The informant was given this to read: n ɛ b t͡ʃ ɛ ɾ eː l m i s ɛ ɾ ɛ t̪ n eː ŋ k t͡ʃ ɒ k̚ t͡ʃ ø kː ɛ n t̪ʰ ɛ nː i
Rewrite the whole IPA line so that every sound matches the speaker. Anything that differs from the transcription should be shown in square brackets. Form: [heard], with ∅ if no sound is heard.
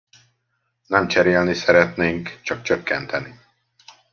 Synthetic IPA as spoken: n ɛ [m] t͡ʃ ɛ ɾ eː l [n] i s ɛ ɾ ɛ t̪ n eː ŋ k t͡ʃ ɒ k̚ t͡ʃ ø kː ɛ n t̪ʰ ɛ [n] i